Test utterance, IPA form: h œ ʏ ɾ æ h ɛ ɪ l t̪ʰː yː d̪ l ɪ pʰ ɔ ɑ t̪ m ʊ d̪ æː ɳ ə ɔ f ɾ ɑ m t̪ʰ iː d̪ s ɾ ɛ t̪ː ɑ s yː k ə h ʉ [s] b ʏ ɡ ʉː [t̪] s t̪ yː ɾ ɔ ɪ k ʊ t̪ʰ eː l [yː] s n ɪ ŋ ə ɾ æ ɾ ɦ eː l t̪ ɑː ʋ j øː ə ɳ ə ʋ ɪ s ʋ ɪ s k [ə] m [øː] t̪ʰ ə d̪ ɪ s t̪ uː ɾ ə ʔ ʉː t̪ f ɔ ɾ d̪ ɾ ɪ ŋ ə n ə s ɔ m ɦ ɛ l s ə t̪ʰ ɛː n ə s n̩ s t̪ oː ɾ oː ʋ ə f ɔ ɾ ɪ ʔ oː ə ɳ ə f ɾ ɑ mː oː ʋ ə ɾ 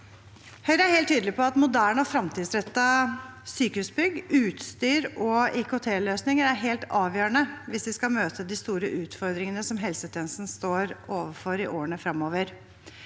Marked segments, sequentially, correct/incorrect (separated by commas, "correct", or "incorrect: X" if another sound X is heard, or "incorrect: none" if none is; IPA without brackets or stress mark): correct, correct, incorrect: øː, incorrect: ɑ, correct